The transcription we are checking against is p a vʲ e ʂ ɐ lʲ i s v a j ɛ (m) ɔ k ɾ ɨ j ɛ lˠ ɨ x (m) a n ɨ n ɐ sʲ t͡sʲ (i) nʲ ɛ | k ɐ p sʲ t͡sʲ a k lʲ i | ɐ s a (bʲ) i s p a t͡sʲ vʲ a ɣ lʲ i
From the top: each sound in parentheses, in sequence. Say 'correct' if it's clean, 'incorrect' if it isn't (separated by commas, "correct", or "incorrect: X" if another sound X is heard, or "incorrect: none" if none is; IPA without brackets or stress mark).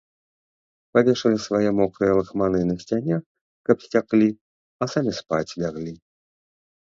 correct, correct, incorrect: a, incorrect: mʲ